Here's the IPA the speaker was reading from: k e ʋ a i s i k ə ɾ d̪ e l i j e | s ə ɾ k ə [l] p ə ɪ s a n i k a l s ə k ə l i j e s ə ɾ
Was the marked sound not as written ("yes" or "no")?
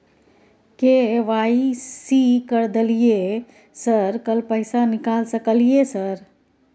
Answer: no